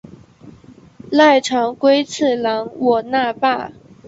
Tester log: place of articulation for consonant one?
alveolar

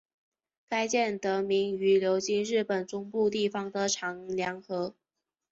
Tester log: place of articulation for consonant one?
velar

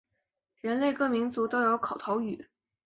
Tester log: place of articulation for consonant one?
retroflex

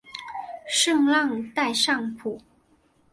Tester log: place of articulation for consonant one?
retroflex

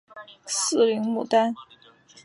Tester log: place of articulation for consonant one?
alveolar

